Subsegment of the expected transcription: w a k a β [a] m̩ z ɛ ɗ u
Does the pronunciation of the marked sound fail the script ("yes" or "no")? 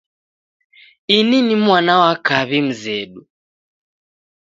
yes